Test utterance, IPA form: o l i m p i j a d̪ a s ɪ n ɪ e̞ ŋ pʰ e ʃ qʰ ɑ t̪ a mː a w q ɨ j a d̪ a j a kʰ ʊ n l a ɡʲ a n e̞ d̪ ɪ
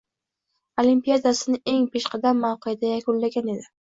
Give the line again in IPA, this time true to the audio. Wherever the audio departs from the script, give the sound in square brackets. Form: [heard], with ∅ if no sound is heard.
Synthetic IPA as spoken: o l i m p i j a d̪ a s ɪ n ɪ e̞ ŋ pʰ e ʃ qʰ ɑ [d̪] a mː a w q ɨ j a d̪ a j a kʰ ʊ n l a ɡʲ a n e̞ d̪ ɪ